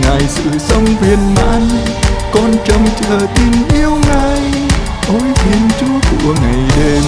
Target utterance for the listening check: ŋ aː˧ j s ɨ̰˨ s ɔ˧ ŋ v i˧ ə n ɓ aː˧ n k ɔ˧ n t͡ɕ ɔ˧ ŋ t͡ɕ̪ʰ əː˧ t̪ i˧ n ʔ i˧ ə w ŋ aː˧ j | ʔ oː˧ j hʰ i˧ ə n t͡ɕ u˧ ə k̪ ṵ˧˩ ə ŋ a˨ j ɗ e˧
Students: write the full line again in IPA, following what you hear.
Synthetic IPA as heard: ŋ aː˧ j s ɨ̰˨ s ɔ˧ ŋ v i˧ ə n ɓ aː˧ n k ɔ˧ n t͡ɕ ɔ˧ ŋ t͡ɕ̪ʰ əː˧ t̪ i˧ n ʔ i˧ ə w ŋ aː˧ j | ʔ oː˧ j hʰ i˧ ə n t͡ɕ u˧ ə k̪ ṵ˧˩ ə ŋ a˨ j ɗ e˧